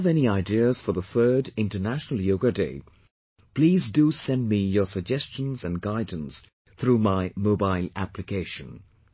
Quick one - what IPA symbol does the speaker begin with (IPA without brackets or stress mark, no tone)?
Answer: v